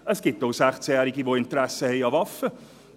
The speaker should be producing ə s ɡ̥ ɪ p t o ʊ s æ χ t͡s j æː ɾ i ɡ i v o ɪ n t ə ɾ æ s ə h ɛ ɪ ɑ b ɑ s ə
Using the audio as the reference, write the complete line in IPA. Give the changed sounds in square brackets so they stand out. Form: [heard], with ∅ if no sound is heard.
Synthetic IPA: ə s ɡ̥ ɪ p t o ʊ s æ χ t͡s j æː ɾ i ɡ i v o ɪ n t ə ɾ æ s ə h ɛ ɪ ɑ [v] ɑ [f] ə